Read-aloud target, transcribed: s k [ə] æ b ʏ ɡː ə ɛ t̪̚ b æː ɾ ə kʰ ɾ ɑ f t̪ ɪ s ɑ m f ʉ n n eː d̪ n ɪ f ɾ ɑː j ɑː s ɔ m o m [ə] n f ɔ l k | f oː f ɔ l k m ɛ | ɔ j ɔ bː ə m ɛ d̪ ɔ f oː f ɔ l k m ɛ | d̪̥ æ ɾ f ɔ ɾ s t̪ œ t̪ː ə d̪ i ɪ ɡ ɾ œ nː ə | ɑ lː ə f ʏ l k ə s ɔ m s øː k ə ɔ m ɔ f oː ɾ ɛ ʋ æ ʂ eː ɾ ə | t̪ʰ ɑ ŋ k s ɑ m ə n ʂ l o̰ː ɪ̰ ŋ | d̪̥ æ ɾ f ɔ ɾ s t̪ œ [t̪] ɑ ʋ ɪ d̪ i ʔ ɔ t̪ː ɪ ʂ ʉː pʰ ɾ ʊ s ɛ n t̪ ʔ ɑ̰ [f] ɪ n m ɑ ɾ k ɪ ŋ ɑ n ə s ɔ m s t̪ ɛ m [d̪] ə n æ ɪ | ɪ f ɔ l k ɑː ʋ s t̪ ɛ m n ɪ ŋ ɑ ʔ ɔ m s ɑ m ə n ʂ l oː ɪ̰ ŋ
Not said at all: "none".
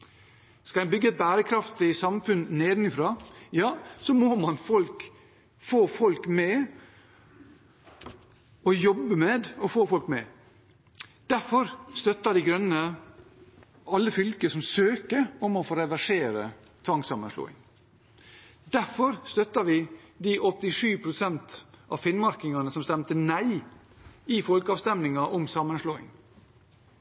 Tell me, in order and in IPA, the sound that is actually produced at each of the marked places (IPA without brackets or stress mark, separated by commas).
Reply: ɑ, ɑ, t̪, f, t̪